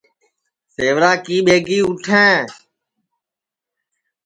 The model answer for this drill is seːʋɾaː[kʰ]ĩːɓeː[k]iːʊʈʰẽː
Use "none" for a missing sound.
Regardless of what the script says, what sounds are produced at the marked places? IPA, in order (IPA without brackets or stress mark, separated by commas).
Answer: k, ɡ